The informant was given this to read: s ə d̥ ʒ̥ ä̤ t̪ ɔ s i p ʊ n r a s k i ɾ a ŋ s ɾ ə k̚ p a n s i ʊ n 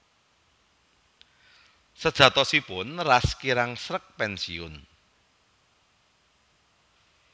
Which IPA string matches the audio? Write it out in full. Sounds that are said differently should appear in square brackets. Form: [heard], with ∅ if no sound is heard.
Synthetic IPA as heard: s ə d̥ ʒ̥ ä̤ t̪ ɔ s i p ʊ n r a s k i ɾ a ŋ s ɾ ə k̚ p [ɛ] n s i ʊ n